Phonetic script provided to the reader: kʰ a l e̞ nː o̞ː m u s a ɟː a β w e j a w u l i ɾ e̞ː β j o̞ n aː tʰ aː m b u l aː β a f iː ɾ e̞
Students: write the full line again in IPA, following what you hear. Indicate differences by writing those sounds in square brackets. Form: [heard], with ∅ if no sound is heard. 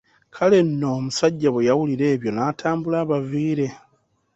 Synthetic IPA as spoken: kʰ a l e̞ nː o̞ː m u s a ɟː a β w e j a w u l i ɾ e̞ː β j o̞ n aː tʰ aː m b u l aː β a [v] iː ɾ e̞